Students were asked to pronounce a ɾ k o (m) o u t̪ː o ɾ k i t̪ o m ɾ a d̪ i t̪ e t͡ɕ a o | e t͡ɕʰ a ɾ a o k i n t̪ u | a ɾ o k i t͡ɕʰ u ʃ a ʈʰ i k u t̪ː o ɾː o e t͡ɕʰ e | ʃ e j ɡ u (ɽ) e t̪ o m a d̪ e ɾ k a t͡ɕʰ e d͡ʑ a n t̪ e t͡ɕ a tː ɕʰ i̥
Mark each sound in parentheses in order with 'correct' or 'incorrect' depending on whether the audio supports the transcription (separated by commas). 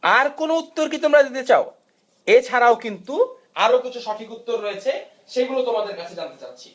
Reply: incorrect, incorrect